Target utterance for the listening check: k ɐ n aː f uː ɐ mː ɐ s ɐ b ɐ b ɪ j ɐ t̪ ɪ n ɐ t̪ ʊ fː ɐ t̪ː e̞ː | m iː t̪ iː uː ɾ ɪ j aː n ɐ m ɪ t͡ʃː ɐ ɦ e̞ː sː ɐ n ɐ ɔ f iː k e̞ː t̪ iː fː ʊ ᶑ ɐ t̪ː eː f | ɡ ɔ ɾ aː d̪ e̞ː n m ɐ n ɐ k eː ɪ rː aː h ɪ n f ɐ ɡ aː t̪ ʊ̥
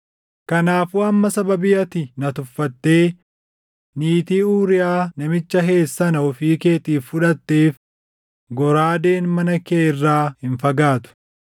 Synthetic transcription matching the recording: k ɐ n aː f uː ɐ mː ɐ s ɐ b ɐ b ɪ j ɐ t̪ ɪ n ɐ t̪ ʊ fː ɐ t̪ː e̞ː | n iː t̪ iː uː ɾ ɪ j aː n ɐ m ɪ t͡ʃː ɐ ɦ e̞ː sː ɐ n ɐ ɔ f iː k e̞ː t̪ iː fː ʊ ᶑ ɐ t̪ː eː f | ɡ ɔ ɾ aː d̪ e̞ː n m ɐ n ɐ k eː ɪ rː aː h ɪ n f ɐ ɡ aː t̪ ʊ̥